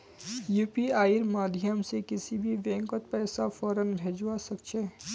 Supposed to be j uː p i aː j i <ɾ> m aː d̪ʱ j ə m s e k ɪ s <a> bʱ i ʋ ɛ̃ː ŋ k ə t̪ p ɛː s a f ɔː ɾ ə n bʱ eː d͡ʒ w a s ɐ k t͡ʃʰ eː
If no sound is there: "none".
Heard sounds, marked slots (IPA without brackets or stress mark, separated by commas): ɾ, i